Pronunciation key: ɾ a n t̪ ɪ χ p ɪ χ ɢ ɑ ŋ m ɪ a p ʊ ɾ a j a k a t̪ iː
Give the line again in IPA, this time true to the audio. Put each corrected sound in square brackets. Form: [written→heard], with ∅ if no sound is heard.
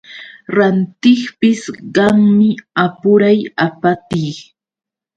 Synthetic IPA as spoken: ɾ a n t̪ ɪ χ p ɪ [χ→s] ɢ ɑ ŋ m ɪ a p ʊ ɾ a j a [k→p] a t̪ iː